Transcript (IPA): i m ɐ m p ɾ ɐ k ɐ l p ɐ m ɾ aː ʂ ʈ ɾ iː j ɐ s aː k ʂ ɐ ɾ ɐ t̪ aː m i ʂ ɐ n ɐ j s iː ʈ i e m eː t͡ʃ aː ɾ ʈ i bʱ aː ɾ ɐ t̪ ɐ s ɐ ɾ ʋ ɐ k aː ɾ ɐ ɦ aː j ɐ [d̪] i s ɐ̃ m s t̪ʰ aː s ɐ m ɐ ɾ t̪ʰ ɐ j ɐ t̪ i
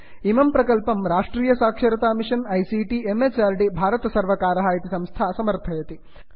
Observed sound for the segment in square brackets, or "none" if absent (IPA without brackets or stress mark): t̪